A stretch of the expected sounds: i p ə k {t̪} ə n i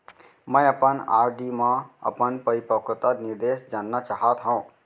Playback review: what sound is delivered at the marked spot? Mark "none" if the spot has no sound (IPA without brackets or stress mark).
t̪